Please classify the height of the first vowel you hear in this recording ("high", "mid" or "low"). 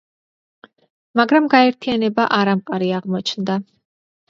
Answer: low